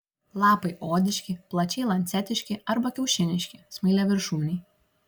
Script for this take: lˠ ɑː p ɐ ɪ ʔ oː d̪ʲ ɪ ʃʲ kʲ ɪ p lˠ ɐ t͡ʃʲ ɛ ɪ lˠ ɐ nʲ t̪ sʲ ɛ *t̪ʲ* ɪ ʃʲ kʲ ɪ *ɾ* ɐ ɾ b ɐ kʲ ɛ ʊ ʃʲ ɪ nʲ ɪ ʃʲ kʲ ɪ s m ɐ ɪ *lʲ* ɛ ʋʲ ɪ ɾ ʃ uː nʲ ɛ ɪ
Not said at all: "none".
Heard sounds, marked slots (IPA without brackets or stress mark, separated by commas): t̪ʲ, none, lʲ